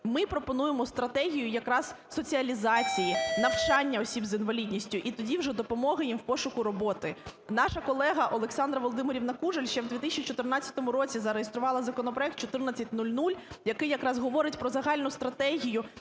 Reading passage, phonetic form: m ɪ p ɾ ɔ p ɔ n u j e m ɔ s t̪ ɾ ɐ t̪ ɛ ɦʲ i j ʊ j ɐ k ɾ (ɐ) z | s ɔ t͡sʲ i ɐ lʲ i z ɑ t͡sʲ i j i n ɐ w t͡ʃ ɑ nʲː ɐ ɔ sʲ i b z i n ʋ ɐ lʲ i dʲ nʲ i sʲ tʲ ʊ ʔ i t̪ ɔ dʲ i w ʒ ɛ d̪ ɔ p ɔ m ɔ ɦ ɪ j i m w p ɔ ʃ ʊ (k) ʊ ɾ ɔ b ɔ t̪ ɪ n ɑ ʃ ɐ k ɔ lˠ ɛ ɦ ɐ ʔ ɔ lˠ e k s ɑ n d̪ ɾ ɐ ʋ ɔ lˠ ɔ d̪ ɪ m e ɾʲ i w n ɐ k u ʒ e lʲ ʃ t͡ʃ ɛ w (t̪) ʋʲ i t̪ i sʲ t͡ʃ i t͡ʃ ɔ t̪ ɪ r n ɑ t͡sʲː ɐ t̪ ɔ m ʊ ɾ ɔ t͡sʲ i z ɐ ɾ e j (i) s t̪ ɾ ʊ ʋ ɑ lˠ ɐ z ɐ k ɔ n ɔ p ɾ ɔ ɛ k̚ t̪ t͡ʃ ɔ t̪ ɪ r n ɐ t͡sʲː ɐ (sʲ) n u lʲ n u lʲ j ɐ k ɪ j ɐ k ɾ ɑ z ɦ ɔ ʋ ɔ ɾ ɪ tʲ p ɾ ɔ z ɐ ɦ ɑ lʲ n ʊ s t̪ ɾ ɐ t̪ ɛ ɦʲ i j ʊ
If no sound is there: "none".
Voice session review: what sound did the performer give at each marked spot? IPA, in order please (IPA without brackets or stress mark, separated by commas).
ɑ, k, d̪, e, tʲ